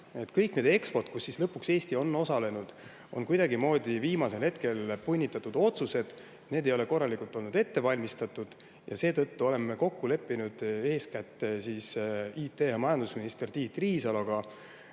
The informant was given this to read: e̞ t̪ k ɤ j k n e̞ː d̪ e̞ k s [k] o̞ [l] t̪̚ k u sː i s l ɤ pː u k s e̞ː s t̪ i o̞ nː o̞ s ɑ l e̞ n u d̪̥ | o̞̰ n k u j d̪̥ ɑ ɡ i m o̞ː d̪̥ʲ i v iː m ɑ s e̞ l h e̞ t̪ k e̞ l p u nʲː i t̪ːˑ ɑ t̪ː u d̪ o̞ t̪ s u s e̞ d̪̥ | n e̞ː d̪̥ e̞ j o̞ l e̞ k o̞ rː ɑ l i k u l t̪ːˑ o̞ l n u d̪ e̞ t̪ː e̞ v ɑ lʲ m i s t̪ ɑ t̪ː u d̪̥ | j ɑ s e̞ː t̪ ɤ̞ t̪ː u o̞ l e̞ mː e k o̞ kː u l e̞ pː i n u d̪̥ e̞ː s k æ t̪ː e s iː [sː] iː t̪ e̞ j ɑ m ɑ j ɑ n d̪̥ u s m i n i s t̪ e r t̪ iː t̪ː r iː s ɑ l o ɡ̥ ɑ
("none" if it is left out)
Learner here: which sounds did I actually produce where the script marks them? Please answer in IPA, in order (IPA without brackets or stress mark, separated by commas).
p, r, s